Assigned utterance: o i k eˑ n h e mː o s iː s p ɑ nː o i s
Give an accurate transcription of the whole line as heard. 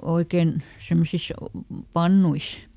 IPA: o i k eˑ n s e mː o s i s p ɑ nː u i s